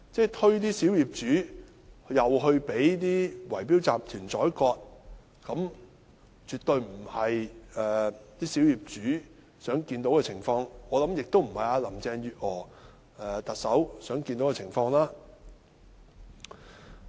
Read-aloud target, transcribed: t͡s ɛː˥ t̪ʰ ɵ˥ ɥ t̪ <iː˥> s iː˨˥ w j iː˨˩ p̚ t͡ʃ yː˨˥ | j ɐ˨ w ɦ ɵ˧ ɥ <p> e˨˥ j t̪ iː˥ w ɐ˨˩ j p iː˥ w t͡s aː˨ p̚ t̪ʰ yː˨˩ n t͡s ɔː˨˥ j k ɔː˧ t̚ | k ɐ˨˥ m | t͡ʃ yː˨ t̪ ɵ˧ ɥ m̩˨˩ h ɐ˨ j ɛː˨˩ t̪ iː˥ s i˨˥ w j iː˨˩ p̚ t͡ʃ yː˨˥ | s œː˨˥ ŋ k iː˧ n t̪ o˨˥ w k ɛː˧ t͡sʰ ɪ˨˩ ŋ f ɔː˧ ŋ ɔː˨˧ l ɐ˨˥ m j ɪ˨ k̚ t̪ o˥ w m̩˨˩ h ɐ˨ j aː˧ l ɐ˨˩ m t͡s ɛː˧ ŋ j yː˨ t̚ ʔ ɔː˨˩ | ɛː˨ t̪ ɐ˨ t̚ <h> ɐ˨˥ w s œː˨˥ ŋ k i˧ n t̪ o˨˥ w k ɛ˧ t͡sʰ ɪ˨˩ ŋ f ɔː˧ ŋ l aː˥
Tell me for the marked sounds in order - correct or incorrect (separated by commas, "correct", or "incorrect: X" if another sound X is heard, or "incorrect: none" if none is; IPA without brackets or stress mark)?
correct, correct, incorrect: s